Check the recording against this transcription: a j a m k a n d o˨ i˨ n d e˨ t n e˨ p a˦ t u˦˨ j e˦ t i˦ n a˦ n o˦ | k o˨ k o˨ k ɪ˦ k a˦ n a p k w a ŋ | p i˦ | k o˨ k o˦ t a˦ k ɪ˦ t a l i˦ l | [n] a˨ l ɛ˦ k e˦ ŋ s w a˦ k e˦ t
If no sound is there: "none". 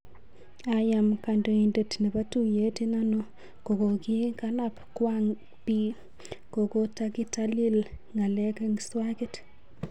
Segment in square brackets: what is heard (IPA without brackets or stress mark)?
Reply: ŋ